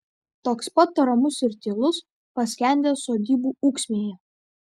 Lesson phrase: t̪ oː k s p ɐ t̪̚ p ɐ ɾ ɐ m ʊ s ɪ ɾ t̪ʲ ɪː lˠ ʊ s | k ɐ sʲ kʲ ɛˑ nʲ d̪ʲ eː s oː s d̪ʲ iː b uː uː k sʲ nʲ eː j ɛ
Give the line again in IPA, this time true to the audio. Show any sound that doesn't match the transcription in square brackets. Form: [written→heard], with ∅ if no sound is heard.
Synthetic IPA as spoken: t̪ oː k s p ɐ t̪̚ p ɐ ɾ ɐ m ʊ s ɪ ɾ t̪ʲ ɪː lˠ ʊ s | [k→p] ɐ sʲ kʲ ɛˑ nʲ d̪ʲ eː s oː [s→∅] d̪ʲ iː b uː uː k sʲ [nʲ→mʲ] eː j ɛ